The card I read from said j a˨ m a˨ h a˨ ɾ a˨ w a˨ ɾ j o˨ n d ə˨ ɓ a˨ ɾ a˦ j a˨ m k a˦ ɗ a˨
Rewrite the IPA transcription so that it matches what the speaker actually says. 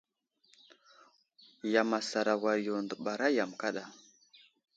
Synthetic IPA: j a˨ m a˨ s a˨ ɾ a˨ w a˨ ɾ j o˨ n d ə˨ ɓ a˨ ɾ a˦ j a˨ m k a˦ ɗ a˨